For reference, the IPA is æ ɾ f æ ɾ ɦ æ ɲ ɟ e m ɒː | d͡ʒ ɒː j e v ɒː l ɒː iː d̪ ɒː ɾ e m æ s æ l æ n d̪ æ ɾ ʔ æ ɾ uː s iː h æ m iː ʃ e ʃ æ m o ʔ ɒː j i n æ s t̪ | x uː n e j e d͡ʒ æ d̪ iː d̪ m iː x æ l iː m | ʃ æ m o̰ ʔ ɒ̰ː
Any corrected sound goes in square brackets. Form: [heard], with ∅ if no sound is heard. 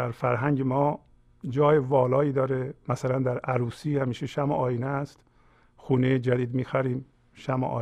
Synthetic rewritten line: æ ɾ f æ ɾ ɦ æ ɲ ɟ e m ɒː | d͡ʒ ɒː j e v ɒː l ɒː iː d̪ ɒː ɾ e m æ s æ l æ n d̪ æ ɾ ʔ æ ɾ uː s iː h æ m iː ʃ e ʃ æ m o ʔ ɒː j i n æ s t̪ | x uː n e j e d͡ʒ æ d̪ iː d̪ m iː x æ [ɾ] iː m | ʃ æ m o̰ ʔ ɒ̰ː